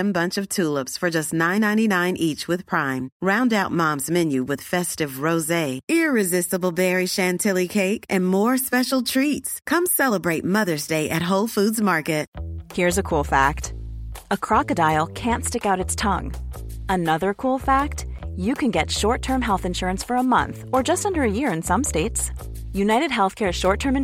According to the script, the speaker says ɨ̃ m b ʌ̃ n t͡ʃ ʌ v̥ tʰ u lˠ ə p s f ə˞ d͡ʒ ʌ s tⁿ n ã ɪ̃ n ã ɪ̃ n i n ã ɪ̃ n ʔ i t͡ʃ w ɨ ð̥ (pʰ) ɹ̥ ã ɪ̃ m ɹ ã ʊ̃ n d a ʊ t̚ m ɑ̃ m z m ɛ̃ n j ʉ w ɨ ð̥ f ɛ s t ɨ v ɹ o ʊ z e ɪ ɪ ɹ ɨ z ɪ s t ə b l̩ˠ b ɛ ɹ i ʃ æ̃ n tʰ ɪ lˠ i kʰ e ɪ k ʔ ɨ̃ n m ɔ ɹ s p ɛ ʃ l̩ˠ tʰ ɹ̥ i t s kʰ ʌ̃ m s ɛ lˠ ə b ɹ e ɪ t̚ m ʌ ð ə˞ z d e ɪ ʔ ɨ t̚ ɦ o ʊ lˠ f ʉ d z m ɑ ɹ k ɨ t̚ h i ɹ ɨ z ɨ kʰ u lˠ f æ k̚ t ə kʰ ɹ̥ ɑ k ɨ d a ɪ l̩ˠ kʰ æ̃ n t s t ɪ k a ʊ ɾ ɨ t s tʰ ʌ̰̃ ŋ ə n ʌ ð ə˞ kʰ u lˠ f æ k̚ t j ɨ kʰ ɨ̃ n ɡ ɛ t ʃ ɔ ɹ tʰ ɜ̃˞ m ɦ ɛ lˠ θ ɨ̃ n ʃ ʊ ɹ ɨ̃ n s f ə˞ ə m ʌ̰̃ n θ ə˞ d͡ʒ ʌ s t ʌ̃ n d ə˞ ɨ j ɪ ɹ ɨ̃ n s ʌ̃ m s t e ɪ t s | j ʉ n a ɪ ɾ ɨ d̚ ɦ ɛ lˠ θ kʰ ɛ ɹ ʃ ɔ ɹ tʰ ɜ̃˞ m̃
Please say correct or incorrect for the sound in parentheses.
correct